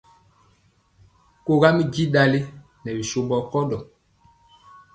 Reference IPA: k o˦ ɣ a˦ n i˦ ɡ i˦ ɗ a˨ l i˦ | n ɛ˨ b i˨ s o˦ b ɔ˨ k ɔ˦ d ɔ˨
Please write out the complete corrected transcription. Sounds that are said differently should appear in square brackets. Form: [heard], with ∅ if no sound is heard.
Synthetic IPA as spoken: k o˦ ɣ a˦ [m] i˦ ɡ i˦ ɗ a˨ l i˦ | n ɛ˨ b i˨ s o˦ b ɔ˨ k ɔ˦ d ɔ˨